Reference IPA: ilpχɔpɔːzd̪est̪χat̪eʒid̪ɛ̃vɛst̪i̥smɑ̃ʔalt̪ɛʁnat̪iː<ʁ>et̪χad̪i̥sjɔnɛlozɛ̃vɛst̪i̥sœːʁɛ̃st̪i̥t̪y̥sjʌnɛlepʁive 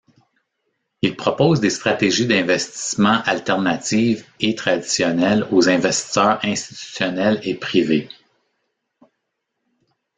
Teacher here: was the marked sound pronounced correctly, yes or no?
no